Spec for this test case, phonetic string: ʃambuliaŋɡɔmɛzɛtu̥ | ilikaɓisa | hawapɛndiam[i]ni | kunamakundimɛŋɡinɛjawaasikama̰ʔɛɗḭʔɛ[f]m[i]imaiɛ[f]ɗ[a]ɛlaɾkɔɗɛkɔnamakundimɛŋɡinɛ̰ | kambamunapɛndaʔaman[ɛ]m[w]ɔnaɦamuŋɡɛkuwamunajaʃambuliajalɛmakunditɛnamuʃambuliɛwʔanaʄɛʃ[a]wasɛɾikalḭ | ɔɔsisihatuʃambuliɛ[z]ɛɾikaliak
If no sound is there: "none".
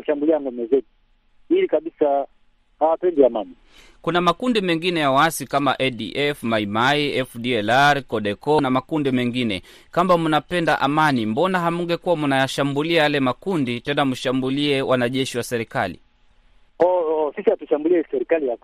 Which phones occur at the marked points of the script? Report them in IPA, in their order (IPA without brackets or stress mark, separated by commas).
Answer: a, f, a, f, i, i, b, i, s